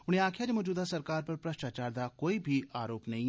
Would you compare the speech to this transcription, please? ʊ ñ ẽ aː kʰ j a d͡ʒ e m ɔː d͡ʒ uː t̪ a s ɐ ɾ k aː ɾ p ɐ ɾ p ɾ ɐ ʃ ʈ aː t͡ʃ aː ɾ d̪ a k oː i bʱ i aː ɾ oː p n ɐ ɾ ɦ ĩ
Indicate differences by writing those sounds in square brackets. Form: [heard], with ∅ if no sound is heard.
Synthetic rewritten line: ʊ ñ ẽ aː kʰ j a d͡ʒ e m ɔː d͡ʒ uː [d̪] a s ɐ ɾ k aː ɾ p ɐ ɾ p ɾ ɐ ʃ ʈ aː t͡ʃ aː ɾ d̪ a k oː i bʱ i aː ɾ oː p n ɐ [∅] ɦ ĩ